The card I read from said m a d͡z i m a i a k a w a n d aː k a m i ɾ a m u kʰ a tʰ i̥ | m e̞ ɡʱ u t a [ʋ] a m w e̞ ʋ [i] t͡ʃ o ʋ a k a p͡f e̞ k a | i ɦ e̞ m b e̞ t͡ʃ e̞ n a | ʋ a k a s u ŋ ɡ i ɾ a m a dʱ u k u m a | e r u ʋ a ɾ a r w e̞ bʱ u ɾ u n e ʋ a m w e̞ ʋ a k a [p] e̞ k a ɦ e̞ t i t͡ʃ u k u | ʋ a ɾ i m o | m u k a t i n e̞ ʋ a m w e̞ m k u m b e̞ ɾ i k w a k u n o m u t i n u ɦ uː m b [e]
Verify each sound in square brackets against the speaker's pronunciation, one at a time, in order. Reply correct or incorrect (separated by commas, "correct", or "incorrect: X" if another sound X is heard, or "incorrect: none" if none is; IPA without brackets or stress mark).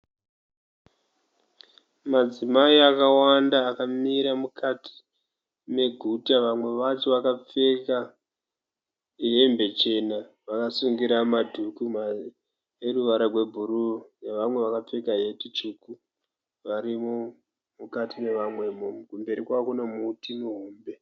correct, incorrect: a, incorrect: p͡f, correct